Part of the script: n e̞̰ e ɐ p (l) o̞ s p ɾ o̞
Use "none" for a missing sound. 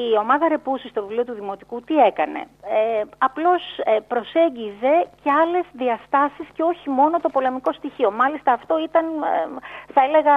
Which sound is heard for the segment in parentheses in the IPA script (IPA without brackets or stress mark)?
l